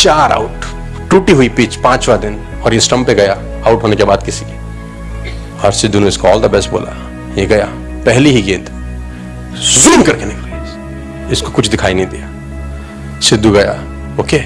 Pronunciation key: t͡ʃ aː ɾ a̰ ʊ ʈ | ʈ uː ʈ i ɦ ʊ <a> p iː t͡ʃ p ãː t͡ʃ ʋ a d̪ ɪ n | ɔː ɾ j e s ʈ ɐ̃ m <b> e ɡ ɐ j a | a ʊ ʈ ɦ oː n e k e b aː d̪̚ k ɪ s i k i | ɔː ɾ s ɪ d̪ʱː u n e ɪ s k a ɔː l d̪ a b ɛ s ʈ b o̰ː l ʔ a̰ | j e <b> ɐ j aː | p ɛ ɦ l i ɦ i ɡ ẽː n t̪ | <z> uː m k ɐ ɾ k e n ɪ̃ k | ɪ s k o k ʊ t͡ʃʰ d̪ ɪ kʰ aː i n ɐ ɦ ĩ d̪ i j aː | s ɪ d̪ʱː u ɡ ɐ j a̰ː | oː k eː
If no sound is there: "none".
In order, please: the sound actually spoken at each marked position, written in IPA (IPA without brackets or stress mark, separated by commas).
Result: i, p, ɡ, z